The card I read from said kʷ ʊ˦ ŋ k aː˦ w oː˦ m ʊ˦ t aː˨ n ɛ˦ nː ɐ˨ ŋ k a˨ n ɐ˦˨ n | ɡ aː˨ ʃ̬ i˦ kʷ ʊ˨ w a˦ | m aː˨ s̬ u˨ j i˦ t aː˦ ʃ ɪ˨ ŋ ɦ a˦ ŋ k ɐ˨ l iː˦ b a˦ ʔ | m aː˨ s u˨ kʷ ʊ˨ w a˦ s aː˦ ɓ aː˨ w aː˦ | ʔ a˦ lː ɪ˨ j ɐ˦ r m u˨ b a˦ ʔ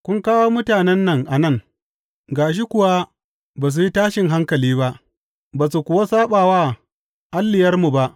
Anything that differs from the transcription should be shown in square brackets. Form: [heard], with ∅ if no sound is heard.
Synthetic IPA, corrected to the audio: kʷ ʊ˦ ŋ k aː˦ w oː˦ m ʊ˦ t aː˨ n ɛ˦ nː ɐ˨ ŋ [ʔ] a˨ n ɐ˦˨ [ŋ] | ɡ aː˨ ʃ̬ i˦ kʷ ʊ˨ w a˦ | [b] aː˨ s̬ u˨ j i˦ t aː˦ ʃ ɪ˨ ŋ ɦ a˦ ŋ k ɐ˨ l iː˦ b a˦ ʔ | [b] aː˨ s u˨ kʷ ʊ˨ w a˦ s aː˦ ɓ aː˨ w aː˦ | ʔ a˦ lː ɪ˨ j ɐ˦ r m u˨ b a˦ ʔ